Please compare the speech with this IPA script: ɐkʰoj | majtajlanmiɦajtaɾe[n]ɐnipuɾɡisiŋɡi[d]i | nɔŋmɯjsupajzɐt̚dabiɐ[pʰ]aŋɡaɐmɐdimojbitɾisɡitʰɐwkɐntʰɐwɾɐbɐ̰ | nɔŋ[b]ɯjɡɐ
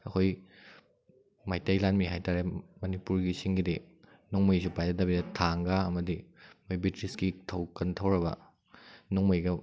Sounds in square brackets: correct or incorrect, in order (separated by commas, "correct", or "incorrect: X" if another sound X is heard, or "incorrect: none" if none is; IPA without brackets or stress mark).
incorrect: m, correct, incorrect: tʰ, incorrect: m